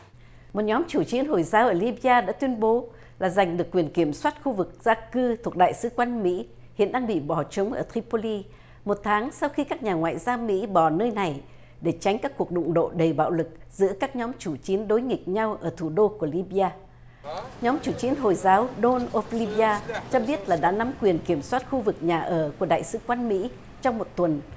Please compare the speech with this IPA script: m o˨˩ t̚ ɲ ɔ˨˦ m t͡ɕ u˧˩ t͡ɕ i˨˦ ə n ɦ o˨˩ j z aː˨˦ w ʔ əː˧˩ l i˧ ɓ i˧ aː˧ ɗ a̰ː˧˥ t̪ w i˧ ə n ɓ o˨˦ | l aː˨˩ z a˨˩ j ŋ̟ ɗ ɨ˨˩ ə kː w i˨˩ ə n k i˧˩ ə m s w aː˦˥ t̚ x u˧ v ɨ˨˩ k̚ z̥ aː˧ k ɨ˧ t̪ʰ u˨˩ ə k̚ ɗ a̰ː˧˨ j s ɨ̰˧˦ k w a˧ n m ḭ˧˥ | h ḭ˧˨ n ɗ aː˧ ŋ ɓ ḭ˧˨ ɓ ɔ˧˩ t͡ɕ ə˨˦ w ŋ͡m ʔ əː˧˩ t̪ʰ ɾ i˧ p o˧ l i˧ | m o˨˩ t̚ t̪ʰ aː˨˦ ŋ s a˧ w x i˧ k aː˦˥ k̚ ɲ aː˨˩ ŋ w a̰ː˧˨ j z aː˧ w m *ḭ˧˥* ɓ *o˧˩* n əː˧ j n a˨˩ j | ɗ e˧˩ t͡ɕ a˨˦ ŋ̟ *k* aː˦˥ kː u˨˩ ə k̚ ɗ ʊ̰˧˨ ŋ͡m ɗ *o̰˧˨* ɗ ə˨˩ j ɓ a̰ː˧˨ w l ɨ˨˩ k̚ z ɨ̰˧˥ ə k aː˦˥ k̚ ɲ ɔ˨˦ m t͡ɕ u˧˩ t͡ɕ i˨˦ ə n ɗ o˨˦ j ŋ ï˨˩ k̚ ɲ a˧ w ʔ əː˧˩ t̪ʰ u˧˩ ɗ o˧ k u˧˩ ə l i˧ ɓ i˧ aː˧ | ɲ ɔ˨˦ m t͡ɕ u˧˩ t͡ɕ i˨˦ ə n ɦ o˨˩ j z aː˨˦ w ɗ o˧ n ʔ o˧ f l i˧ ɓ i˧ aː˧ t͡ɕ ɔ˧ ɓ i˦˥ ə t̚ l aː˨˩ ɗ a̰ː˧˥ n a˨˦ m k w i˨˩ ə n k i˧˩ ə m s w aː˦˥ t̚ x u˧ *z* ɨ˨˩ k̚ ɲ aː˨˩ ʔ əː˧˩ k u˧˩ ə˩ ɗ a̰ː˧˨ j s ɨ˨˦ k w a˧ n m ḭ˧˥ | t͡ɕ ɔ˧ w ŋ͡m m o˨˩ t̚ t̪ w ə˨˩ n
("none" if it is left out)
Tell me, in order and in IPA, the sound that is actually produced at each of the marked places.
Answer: ḭ˧˥, ɔ˧˩, k, o̰˧˨, v

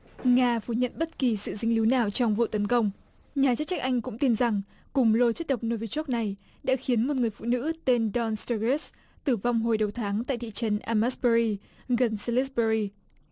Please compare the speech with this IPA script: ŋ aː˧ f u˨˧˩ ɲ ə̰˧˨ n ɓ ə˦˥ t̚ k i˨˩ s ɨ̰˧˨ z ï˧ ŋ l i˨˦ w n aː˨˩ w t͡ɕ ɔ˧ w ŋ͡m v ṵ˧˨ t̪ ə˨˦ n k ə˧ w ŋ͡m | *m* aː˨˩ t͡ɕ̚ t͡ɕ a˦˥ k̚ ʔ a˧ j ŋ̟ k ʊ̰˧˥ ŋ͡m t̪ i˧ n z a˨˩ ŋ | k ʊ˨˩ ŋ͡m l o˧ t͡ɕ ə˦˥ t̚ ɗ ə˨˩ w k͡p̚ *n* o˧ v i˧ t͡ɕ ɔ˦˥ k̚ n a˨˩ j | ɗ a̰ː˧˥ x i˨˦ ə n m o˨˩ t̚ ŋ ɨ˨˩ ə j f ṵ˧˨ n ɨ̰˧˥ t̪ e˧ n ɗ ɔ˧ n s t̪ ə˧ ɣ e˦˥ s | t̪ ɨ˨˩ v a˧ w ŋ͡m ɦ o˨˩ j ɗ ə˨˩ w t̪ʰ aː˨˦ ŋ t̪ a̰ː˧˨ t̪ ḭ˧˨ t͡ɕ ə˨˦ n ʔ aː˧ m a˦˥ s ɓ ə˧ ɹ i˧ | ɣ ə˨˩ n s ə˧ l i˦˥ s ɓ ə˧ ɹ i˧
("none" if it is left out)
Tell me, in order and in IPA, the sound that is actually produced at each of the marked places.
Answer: ɲ, n

